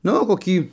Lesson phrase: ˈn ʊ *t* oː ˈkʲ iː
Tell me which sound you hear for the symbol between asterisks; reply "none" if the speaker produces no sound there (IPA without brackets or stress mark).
k